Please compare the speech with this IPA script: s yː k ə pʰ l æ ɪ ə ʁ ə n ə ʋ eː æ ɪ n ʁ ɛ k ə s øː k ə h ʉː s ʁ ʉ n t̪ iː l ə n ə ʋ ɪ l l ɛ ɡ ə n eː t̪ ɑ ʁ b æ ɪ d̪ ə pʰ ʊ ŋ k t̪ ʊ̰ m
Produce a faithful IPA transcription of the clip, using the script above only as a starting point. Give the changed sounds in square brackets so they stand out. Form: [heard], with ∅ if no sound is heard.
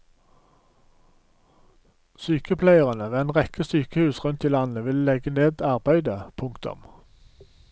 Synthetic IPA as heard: s yː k ə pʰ l æ ɪ ə ʁ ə n ə ʋ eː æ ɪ n ʁ ɛ k ə s [yː] k ə h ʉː s ʁ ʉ n t̪ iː l [ɑ] n ə ʋ ɪ l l ɛ ɡ ə n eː [d̪] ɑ ʁ b æ ɪ d̪ ə pʰ ʊ ŋ k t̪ ʊ̰ m